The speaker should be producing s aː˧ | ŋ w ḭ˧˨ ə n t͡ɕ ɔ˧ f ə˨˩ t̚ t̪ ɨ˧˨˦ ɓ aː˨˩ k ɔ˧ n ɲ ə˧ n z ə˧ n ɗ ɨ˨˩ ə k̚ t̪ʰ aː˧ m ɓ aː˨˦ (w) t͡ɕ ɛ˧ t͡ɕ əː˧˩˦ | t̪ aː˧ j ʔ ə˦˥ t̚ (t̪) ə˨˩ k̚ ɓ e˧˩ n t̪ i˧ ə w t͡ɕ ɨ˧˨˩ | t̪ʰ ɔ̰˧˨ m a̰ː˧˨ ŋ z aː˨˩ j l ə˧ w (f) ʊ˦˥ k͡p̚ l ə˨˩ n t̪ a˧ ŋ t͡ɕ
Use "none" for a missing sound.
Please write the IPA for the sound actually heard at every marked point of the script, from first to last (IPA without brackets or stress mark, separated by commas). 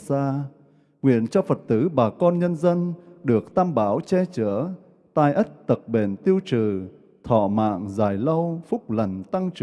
w, t̪, f